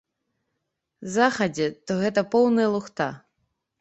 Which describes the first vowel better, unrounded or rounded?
unrounded